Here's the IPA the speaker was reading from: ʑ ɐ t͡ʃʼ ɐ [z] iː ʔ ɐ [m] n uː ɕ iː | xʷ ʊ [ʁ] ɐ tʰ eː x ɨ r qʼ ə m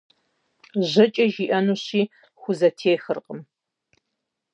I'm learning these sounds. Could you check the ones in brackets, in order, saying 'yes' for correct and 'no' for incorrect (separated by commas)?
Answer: no, no, no